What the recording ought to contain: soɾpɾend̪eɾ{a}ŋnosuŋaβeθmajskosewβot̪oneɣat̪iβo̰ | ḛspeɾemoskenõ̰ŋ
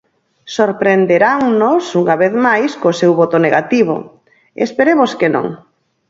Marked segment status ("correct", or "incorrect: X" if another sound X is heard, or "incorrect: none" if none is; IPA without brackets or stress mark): correct